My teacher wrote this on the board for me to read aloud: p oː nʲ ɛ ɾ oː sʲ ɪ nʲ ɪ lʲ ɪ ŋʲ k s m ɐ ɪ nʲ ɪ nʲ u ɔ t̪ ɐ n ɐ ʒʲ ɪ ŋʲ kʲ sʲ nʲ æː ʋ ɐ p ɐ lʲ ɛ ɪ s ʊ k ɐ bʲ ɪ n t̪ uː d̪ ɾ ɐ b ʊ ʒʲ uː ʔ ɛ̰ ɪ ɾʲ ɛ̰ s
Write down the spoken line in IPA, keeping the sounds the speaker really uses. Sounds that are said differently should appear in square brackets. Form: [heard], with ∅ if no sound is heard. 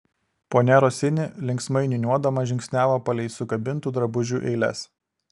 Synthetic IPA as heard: p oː nʲ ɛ ɾ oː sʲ ɪ nʲ ɪ lʲ ɪ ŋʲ k s m ɐ ɪ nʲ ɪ nʲ u ɔ [d̪] ɐ [m] ɐ ʒʲ ɪ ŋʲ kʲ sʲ nʲ æː ʋ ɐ p ɐ lʲ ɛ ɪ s ʊ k ɐ bʲ ɪ n t̪ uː d̪ ɾ ɐ b ʊ ʒʲ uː ʔ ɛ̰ ɪ [lʲ] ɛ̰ s